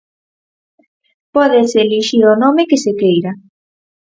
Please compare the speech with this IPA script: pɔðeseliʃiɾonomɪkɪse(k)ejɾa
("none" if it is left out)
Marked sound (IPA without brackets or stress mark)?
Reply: k